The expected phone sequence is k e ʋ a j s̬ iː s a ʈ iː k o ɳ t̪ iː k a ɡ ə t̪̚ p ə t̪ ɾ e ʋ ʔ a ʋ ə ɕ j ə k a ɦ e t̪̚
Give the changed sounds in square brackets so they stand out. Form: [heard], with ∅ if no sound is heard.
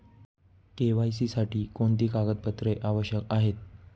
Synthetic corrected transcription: k e ʋ a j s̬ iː s a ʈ iː k o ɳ t̪ iː k a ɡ ə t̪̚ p ə t̪ ɾ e [∅] ʔ a ʋ ə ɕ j ə k a ɦ e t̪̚